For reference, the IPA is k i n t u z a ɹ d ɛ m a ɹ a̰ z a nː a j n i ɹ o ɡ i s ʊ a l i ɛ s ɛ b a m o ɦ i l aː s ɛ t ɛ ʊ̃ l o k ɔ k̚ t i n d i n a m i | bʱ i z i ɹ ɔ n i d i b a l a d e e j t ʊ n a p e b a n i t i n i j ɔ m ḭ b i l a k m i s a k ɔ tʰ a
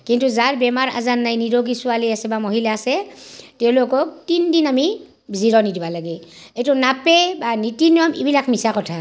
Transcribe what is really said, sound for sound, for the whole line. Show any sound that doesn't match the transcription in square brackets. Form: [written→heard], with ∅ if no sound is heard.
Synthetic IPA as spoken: k i n t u z a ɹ [d→b] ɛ m a ɹ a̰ z a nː a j n i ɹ o ɡ i s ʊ a l i [ɛ→a] s ɛ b a m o ɦ i l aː s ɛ t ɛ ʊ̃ l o k ɔ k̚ t i n d i n a m i | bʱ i z i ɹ ɔ n i d i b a l a [d→ɡ] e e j t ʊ n a p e b a n i t i n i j ɔ m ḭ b i l a k m i s a k ɔ tʰ a